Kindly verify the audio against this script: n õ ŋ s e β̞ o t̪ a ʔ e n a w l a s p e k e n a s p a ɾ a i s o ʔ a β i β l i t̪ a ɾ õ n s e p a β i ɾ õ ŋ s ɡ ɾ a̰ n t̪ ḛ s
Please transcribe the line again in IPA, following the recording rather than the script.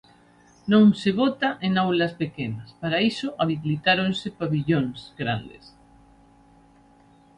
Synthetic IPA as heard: n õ ŋ s e β̞ o t̪ a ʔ e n a w l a s p e k e n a s p a ɾ a i s o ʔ a β i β l i t̪ a ɾ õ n s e p a β i ʎ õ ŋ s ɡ ɾ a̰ n d̪ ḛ s